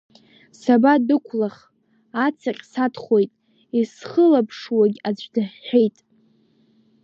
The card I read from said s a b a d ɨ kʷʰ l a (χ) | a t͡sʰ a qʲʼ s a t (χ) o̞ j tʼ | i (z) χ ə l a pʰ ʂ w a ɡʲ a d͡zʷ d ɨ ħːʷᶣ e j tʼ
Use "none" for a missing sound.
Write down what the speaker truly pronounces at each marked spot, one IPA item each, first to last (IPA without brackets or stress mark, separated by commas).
χ, χ, s